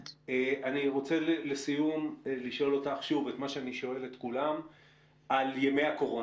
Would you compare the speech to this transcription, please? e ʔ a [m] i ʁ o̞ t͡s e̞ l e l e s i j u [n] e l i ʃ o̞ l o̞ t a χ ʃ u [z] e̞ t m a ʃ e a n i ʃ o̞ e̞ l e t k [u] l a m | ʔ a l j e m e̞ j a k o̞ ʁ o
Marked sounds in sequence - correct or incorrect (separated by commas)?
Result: incorrect, incorrect, incorrect, correct